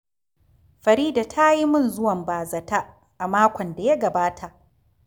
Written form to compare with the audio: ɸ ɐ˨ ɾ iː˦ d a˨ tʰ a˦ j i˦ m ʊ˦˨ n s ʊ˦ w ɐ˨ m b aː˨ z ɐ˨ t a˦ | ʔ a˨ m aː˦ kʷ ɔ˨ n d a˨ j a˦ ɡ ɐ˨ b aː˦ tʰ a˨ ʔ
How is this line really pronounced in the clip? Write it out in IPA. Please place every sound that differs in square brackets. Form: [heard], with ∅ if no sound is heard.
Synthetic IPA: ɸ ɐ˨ ɾ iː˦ d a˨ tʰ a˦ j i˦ m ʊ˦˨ n [z] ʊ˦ w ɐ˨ m b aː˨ z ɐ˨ t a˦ | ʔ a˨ m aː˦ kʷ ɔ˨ n d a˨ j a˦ ɡ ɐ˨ b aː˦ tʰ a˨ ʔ